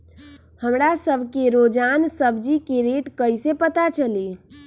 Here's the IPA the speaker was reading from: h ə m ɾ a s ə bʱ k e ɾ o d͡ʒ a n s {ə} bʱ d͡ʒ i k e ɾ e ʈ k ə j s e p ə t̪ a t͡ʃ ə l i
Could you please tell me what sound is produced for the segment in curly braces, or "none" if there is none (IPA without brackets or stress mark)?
ə